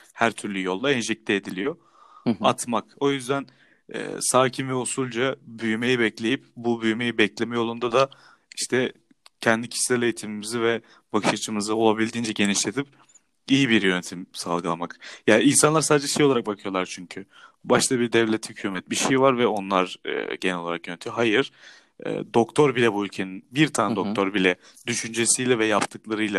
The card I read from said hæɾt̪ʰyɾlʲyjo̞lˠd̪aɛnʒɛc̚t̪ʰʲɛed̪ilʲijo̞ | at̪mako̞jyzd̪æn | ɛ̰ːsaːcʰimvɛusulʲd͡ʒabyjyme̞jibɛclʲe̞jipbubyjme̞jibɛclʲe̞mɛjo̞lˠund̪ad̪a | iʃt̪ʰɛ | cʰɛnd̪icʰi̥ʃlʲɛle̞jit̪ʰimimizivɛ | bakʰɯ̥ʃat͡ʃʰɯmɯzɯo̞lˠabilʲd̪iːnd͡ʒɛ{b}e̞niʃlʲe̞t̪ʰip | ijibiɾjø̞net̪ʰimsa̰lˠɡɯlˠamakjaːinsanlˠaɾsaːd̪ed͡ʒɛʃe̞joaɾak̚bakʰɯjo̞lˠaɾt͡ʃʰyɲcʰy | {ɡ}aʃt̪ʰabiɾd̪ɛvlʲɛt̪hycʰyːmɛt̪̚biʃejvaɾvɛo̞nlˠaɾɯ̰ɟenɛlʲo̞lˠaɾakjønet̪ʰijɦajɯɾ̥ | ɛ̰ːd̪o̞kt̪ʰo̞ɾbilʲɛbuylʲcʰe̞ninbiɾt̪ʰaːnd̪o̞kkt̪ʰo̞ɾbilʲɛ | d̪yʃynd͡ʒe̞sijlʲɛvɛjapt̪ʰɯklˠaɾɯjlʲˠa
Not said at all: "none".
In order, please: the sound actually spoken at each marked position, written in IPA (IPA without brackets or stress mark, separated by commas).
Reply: ɟ, b